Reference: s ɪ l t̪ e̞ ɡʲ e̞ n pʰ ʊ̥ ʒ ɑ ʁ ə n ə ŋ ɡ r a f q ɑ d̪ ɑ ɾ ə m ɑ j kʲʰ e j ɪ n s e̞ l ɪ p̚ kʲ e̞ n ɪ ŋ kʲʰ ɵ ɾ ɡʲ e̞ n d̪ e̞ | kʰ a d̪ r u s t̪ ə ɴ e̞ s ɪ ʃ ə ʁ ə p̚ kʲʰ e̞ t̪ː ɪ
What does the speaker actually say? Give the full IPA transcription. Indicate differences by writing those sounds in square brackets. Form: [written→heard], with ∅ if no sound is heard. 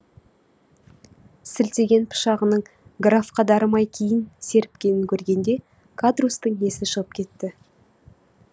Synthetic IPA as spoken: s ɪ l t̪ e̞ ɡʲ e̞ n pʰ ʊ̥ [ʒ→ʃ] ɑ ʁ ə n ə [ŋ→ɴ] ɡ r a f q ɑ d̪ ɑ ɾ ə m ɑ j kʲʰ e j ɪ n s e̞ [l→ɾ] ɪ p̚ kʲ e̞ n ɪ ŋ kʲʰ ɵ ɾ ɡʲ e̞ n d̪ e̞ | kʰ a d̪ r u s t̪ ə ɴ e̞ s ɪ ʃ ə ʁ ə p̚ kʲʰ e̞ t̪ː ɪ